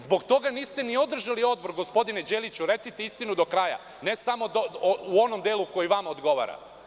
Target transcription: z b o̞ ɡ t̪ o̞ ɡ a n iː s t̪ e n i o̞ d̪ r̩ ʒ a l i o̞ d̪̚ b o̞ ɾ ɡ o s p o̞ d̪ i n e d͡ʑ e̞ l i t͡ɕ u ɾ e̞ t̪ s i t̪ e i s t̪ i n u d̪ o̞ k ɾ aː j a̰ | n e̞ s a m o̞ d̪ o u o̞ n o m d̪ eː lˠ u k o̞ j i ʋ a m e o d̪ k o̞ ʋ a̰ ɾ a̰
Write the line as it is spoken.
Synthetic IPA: z b o̞ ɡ t̪ o̞ ɡ a n iː s t̪ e n i o̞ d̪ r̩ ʒ a l i o̞ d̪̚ b o̞ ɾ ɡ o s p o̞ d̪ i n e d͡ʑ e̞ l i t͡ɕ u ɾ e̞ t̪ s i t̪ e i s t̪ i n u d̪ o̞ k ɾ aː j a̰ | n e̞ s a m o̞ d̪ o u o̞ n o m d̪ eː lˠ u k o̞ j i ʋ a m a o d̪ ɡ o̞ ʋ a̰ ɾ a̰